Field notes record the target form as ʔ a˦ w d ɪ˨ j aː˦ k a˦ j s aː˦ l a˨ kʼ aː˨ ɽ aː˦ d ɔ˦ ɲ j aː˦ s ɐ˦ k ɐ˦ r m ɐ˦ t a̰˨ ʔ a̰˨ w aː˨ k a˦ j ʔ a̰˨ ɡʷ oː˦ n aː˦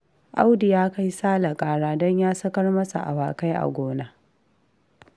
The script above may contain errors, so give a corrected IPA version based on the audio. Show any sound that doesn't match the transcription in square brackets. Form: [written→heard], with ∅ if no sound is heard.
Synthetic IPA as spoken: ʔ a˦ w d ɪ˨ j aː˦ k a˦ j s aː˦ l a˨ kʼ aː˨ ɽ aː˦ d ɔ˦ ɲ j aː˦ s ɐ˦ k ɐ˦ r m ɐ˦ [t→s] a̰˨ ʔ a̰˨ w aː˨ k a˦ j ʔ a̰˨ ɡʷ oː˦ n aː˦